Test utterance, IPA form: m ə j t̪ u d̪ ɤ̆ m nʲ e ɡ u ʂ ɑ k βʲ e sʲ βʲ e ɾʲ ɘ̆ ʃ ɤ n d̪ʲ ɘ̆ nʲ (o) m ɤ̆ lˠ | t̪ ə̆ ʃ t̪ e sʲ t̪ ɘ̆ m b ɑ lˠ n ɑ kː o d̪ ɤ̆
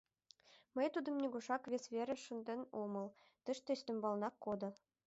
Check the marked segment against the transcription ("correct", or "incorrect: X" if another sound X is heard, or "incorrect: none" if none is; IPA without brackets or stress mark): correct